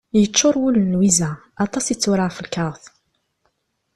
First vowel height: mid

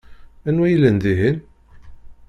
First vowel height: low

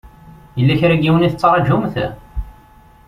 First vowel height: mid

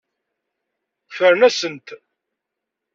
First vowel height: mid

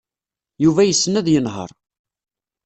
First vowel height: high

